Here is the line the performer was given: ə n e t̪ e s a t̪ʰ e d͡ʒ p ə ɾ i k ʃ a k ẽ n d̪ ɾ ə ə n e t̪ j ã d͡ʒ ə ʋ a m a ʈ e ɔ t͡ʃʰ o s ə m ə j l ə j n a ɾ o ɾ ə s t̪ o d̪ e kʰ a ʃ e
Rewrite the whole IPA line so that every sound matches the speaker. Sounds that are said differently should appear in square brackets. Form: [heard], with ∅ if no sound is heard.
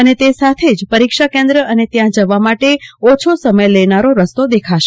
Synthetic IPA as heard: ə n e t̪ e s a t̪ʰ e d͡ʒ p ə ɾ i k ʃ a k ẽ n d̪ ɾ ə ə n e t̪ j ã d͡ʒ ə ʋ a m a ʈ e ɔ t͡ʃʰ o s ə m ə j l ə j n a ɾ o ɾ ə s t̪ o d̪ e kʰ a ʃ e